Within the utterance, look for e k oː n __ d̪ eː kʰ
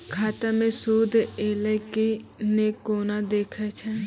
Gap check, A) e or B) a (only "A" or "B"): B